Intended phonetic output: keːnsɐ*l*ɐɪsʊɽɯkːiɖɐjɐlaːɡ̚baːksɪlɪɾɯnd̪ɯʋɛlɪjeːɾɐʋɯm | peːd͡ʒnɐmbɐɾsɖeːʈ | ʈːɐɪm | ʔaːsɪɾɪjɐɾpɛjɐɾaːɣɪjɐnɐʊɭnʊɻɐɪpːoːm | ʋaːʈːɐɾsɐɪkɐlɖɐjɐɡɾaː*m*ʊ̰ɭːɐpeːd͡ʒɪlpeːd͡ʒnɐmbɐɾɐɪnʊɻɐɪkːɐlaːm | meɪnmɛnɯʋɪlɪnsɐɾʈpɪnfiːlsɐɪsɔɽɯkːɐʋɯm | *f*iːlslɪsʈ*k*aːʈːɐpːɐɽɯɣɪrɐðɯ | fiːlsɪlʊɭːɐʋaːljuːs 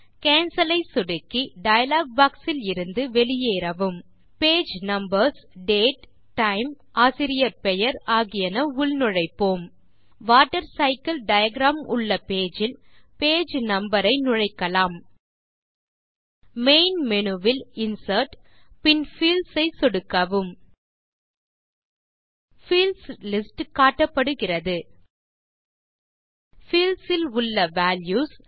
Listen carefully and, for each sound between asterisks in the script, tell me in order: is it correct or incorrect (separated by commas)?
correct, correct, correct, correct